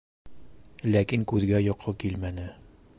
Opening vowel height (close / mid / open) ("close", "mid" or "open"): open